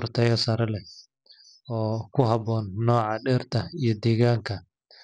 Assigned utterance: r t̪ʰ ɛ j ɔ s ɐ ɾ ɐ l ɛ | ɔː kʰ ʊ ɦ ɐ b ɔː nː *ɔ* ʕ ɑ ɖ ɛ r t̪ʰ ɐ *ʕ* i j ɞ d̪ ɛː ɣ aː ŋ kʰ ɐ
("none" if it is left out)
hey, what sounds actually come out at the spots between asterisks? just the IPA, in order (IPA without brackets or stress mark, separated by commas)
ɔː, none